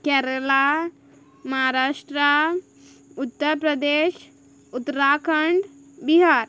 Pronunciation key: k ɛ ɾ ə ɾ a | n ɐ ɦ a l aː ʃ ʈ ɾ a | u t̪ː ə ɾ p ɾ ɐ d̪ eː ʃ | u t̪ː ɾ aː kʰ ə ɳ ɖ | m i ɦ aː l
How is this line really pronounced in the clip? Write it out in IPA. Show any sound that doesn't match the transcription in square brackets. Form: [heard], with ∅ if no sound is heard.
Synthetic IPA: k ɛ ɾ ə [l] a | [m] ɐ ɦ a [ɾ] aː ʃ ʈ ɾ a | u t̪ː ə ɾ p ɾ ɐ d̪ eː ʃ | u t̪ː ɾ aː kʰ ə ɳ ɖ | [b] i ɦ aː [ɾ]

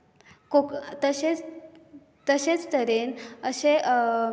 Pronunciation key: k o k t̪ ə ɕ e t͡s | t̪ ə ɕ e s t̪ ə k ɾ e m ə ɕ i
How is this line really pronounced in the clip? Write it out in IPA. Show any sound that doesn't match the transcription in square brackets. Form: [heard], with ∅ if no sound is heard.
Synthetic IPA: k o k t̪ ə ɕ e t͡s | t̪ ə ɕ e [t͡s] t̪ ə [∅] ɾ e [n] ə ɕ [e]

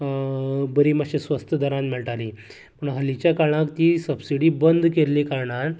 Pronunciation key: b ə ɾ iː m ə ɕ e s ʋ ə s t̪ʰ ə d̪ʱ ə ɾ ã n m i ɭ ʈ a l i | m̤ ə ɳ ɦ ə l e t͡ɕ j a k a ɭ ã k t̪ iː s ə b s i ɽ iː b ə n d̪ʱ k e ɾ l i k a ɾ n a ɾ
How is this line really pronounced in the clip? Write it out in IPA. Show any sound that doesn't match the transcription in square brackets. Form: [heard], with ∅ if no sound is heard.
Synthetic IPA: b ə ɾ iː m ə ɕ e s ʋ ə s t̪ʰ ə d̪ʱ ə ɾ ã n m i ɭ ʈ a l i | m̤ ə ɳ ɦ ə l [i] t͡ɕ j a k a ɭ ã k t̪ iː s ə b s i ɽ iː b ə n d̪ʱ k e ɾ l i k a ɾ [ɳ] a ɾ

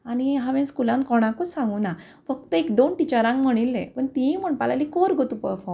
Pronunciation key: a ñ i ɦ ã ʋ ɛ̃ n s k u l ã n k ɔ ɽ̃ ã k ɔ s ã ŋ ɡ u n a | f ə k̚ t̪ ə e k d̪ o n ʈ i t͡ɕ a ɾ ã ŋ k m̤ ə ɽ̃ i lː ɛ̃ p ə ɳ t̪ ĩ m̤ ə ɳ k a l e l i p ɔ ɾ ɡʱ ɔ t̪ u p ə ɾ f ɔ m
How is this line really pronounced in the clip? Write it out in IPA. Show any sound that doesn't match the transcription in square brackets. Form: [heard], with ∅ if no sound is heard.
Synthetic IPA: a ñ i ɦ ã ʋ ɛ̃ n s k u l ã n k ɔ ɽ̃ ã k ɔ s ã ŋ ɡ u n a | f ə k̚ t̪ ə e k d̪ o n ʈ i t͡ɕ a ɾ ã ŋ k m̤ ə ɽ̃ i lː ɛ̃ p ə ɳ t̪ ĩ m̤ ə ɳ [p] a l [a] l i [k] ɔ ɾ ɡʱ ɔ t̪ u p ə ɾ f ɔ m

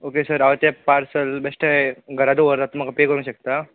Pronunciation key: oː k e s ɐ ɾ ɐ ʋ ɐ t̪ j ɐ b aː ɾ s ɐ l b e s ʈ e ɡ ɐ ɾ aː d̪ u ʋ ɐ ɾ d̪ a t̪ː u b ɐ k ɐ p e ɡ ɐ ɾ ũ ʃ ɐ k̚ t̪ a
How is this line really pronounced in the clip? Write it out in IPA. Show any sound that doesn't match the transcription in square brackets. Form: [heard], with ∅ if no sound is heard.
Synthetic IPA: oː k e s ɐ ɾ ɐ ʋ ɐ t̪ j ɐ [p] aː ɾ s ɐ l b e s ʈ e ɡ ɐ ɾ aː d̪ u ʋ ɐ ɾ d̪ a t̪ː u [m] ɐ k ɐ p e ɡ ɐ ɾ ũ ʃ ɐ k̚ t̪ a

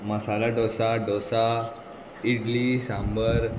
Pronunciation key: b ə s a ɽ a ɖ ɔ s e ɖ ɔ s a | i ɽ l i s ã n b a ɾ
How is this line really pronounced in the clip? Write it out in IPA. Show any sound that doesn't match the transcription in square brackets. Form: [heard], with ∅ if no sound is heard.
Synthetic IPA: [m] ə s a [l] a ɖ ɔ s [a] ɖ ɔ s a | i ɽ l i s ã [m] b [ə] ɾ

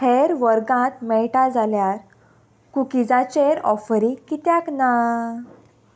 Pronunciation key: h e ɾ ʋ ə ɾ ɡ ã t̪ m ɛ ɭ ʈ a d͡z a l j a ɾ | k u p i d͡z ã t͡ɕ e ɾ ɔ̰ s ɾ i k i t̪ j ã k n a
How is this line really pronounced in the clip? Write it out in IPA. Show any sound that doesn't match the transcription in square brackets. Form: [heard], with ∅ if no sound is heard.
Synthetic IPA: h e ɾ ʋ ə ɾ ɡ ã t̪ m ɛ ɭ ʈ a d͡z a l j a ɾ | k u [k] i d͡z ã t͡ɕ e ɾ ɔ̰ [f] ɾ i k i t̪ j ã k n a

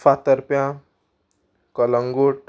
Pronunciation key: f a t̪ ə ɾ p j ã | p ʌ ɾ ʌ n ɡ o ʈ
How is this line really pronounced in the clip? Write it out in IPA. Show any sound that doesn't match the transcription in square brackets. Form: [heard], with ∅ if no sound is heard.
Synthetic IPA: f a t̪ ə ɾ p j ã | [k] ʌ [l] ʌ [ŋ] ɡ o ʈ

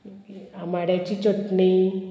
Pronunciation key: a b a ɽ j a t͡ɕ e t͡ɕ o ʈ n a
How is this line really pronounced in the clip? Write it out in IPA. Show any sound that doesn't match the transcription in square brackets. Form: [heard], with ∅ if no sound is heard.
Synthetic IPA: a [m] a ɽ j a t͡ɕ [i] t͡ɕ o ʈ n [i]

